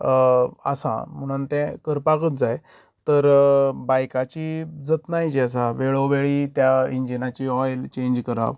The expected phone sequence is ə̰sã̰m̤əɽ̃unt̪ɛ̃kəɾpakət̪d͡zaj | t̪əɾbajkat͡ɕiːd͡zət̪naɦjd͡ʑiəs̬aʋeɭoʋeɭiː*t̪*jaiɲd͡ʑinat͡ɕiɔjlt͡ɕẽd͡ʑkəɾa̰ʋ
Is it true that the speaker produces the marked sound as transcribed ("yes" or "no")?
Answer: yes